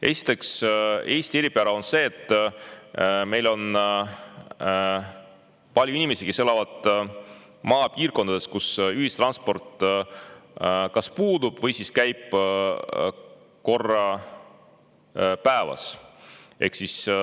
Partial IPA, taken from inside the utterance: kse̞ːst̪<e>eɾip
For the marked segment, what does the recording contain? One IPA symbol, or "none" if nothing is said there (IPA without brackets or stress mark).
i